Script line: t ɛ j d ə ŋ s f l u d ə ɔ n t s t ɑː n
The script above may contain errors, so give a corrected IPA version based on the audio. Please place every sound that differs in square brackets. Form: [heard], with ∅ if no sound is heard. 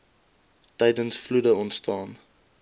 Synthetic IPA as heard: t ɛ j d ə [n] s f l u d ə ɔ n t s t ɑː n